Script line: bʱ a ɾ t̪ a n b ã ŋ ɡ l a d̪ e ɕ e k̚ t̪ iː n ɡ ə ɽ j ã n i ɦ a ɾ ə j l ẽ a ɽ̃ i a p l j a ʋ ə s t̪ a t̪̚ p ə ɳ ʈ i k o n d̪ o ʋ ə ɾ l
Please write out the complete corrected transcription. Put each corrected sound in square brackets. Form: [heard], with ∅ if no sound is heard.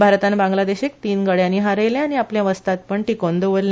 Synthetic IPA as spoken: bʱ a ɾ t̪ a n b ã ŋ ɡ l a d̪ e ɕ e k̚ t̪ iː n ɡ ə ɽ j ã n i ɦ a ɾ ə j l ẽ a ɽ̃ i a p l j a ʋ ə s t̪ a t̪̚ p ə ɳ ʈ i k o n d̪ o ʋ ə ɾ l